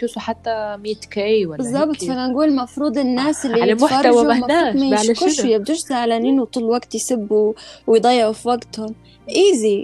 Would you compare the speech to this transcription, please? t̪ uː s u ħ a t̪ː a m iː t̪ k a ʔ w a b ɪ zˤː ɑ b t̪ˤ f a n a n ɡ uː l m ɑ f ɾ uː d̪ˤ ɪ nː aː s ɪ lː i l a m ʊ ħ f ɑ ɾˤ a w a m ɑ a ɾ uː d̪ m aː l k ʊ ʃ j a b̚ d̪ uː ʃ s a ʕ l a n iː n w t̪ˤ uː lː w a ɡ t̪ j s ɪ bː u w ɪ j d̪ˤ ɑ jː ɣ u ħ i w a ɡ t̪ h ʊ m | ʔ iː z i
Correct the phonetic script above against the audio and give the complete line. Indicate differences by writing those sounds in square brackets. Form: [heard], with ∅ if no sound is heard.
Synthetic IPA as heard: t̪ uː s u ħ a t̪ː a m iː t̪ k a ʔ w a b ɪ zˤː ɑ b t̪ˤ f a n a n ɡ uː l m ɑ f ɾ uː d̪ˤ ɪ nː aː s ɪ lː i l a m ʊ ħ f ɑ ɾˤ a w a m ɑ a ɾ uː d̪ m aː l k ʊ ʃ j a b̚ d̪ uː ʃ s a ʕ l a n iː n w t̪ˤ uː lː w a ɡ t̪ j s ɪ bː u w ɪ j d̪ˤ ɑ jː [ʕ] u [f] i w a ɡ t̪ h ʊ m | ʔ iː z i